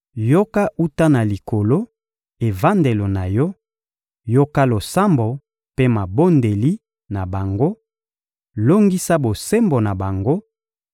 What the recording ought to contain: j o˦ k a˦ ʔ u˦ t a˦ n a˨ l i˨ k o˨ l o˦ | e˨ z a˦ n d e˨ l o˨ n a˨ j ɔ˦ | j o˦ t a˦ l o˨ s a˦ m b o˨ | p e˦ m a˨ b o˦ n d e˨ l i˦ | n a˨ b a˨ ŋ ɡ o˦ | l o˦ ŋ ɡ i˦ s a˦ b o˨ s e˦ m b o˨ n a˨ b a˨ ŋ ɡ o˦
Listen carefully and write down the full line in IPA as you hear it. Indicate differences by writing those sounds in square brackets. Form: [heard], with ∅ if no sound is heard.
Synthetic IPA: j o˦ k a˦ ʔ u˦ t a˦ n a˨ l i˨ k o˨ l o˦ | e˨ [v] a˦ n d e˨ l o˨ n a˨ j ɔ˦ | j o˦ [k] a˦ l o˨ s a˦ m b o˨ | p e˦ m a˨ b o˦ n d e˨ l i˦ | n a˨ b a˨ ŋ ɡ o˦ | l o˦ ŋ ɡ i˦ s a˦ b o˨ s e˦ m b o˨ n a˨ b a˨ ŋ ɡ o˦